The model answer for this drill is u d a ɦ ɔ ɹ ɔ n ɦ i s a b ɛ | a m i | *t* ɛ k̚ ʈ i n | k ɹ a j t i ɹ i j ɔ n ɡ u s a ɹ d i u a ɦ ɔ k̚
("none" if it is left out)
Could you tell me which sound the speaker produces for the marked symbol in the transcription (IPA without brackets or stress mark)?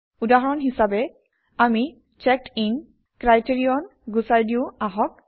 t͡ʃ